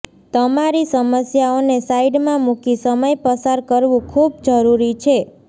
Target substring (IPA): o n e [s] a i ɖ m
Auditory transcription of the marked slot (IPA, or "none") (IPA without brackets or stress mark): s